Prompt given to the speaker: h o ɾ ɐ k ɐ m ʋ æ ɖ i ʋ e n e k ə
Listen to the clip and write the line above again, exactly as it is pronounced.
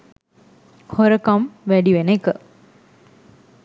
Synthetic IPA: h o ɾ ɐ k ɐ m ʋ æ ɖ i ʋ e n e k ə

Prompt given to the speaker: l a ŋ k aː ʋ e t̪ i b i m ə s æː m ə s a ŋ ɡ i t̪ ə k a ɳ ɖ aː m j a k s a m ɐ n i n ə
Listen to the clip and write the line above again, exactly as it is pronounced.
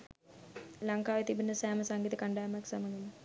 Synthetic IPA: l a ŋ k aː ʋ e t̪ i b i n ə s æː m ə s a ŋ ɡ i t̪ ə k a ɳ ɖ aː m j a k s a m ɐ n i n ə

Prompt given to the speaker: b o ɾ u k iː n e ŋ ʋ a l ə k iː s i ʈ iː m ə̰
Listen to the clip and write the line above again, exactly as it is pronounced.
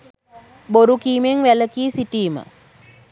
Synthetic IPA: b o ɾ u k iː m e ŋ ʋ æ l ə k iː s i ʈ iː m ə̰

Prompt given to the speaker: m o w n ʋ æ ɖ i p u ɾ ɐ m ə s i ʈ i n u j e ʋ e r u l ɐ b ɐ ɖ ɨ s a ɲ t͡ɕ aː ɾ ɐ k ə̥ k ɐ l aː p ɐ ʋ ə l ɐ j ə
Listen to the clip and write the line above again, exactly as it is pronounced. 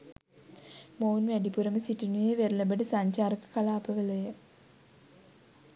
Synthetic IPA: m o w n ʋ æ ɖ i p u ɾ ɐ m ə s i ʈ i n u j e ʋ e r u l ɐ b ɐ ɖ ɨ s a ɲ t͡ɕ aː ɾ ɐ k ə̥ k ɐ l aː p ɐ ʋ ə l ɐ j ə

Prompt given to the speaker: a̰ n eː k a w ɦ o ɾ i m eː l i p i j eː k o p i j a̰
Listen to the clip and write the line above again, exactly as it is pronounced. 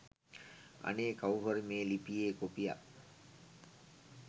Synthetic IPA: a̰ n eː k a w ɦ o ɾ i m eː l i p i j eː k o p i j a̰

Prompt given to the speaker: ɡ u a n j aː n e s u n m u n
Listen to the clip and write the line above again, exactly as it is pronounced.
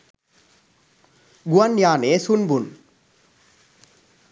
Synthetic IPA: ɡ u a n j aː n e s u n b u n

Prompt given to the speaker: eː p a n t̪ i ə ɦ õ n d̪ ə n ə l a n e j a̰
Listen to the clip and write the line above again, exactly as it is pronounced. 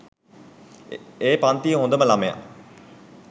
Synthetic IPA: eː p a n t̪ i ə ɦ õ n d̪ ə m ə l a m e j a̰

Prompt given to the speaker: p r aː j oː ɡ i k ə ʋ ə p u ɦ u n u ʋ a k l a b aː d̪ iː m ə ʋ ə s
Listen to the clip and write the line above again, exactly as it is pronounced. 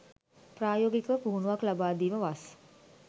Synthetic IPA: p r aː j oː ɡ i k ə ʋ ə p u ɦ u n u ʋ a k l a b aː d̪ iː m ə ʋ a s

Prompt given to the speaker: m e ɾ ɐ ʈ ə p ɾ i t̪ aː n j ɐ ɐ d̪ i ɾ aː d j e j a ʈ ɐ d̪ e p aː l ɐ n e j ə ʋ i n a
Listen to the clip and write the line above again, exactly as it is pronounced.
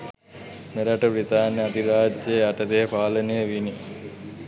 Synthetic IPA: m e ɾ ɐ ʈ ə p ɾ i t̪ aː n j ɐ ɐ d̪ i ɾ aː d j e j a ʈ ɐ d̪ e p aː l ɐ n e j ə ʋ i n i

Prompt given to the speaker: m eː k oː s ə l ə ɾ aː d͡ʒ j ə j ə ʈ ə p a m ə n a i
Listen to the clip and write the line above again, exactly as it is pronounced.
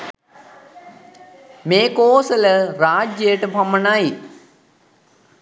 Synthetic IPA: m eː k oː s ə l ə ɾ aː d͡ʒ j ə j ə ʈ ə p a m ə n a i

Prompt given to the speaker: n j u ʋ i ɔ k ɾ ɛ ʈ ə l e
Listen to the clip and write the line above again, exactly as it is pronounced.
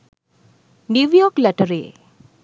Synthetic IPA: n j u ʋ j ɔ k l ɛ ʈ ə ɾ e

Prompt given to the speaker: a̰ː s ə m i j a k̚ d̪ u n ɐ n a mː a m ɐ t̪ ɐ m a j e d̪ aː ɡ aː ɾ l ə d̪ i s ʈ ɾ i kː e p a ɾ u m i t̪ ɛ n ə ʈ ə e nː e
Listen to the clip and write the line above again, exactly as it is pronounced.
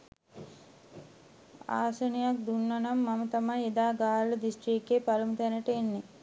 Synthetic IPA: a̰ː s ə n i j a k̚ d̪ u nː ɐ n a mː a m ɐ t̪ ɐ m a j e d̪ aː ɡ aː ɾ l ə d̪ i s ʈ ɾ i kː e p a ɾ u m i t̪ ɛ n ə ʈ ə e nː e

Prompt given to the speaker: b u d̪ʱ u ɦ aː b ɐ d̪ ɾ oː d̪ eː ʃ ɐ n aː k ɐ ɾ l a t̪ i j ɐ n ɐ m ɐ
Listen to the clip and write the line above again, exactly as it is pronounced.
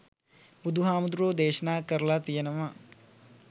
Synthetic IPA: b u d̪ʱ u ɦ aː m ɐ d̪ ɾ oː d̪ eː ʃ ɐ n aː k ɐ ɾ l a t̪ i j ɐ n ɐ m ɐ

